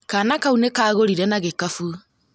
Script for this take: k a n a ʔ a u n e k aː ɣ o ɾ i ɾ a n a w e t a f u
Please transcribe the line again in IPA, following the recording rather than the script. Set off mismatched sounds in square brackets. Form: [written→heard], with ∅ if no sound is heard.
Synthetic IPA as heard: k a n a [ʔ→k] a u n e k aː ɣ o ɾ i ɾ [a→ɛ] n a [w→ɣ] e [t→k] a f u